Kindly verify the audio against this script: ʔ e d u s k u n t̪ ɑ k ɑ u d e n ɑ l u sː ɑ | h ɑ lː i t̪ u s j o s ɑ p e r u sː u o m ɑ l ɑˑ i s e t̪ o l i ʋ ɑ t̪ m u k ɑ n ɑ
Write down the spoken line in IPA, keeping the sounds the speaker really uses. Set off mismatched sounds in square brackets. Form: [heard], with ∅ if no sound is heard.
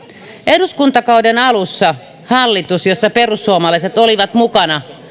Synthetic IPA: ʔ e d u s k u n t̪ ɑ k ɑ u d e n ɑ l u sː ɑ | h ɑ lː i t̪ u s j o [sː] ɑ p e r u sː u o m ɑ l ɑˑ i s e t̪ o l i ʋ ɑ t̪ m u k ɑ n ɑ